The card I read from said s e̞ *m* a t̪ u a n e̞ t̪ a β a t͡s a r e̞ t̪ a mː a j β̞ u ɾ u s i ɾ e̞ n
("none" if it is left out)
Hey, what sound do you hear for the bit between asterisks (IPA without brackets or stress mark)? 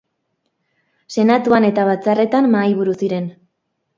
n